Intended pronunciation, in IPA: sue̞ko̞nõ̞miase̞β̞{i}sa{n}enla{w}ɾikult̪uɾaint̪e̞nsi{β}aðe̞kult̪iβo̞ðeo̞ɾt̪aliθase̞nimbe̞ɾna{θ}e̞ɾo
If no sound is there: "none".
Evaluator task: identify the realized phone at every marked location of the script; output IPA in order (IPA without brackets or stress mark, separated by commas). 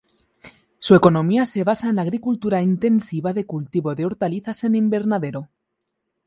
a, none, ɣ, β, ð